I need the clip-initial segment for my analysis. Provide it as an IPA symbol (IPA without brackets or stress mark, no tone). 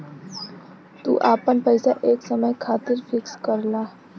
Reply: t̪